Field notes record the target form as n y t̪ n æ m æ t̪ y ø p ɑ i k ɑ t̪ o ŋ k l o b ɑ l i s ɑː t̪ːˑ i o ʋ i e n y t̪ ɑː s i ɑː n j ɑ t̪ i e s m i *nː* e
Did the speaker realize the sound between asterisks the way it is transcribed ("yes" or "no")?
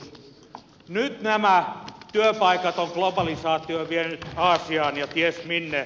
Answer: yes